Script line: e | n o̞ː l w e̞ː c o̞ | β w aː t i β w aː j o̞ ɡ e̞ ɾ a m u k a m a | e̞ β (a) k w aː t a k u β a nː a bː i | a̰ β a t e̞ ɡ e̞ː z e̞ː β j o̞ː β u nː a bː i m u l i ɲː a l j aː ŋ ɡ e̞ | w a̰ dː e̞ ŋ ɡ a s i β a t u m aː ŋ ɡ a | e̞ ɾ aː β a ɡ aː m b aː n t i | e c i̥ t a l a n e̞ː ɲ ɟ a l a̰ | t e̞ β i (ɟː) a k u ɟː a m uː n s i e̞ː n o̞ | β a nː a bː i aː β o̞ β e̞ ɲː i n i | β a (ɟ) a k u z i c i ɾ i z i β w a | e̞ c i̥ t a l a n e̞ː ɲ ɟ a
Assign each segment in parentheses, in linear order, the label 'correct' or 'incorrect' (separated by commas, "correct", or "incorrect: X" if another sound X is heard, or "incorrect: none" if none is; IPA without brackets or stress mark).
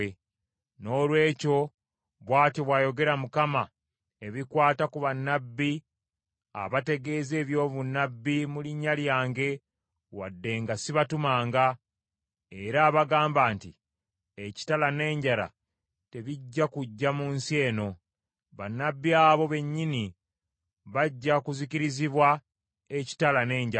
incorrect: i, correct, incorrect: ɟː